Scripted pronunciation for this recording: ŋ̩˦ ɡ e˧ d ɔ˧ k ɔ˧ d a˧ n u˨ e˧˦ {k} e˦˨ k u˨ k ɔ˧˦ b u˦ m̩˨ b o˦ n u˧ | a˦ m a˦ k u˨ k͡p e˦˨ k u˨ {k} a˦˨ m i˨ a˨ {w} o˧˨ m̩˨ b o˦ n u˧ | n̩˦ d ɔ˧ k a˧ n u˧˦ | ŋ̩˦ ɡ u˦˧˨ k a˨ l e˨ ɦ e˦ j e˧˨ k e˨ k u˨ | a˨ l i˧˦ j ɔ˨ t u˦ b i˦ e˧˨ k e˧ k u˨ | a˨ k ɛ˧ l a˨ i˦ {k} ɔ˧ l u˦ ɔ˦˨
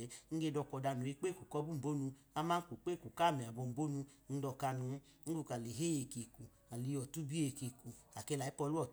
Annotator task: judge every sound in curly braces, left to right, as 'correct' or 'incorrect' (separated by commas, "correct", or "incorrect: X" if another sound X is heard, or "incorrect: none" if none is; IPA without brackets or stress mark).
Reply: incorrect: k͡p, correct, incorrect: b, incorrect: p